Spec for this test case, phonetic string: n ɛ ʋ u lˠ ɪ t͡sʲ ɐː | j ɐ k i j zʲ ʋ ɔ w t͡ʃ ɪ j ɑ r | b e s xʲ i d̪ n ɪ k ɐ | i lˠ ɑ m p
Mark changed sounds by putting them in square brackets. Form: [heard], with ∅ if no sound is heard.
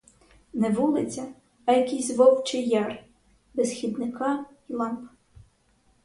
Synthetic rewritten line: n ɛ ʋ u lˠ ɪ t͡sʲ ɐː | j ɐ k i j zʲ ʋ ɔ w t͡ʃ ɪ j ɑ r | b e s xʲ i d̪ n ɪ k [ɑ] | i lˠ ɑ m p